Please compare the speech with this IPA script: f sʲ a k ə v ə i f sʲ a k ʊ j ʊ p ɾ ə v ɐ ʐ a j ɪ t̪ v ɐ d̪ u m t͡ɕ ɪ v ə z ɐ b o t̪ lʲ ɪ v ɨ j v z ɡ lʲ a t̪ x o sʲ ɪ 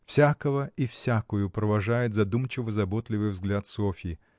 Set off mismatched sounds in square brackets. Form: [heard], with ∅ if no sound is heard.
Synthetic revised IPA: f sʲ a k ə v ə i f sʲ a k ʊ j ʊ p ɾ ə v ɐ ʐ a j ɪ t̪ [z] ɐ d̪ u m t͡ɕ ɪ v ə z ɐ b o t̪ lʲ ɪ v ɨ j v z ɡ lʲ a t̪ [s] o [fʲ] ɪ